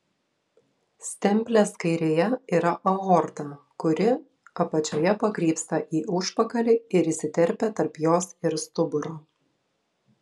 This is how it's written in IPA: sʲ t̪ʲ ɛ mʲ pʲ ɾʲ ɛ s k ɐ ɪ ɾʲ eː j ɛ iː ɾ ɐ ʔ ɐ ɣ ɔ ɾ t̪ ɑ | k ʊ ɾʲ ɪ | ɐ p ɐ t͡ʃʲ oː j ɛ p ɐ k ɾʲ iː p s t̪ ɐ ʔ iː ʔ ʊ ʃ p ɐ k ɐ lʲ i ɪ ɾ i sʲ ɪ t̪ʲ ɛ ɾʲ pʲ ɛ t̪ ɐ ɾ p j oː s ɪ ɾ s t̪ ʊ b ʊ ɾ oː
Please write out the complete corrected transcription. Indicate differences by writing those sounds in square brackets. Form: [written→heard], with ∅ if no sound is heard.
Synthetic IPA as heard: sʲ t̪ʲ ɛ mʲ pʲ [ɾʲ→lʲ] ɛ s k ɐ ɪ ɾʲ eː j ɛ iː ɾ ɐ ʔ ɐ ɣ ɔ ɾ t̪ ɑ | k ʊ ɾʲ ɪ | ɐ p ɐ t͡ʃʲ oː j ɛ p ɐ k ɾʲ iː p s t̪ ɐ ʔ iː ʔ ʊ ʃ p ɐ k ɐ lʲ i ɪ ɾ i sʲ ɪ t̪ʲ ɛ ɾʲ pʲ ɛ t̪ ɐ ɾ p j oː s ɪ ɾ s t̪ ʊ b ʊ ɾ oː